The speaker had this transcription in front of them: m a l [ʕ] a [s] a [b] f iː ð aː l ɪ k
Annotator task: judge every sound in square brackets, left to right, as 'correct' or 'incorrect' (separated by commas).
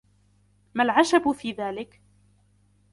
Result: correct, incorrect, correct